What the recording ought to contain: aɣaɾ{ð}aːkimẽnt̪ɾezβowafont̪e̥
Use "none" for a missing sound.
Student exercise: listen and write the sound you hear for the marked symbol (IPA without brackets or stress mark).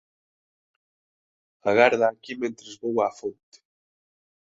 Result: ð